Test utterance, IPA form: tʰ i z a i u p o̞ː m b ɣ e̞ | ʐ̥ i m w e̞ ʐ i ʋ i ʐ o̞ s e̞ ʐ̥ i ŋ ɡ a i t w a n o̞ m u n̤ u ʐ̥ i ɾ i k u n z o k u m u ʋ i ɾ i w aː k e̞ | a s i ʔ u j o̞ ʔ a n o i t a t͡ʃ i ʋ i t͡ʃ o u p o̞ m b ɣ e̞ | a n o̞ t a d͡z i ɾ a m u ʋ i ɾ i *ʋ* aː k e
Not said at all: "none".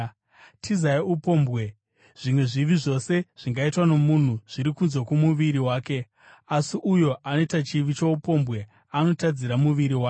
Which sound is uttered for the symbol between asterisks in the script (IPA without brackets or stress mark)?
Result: w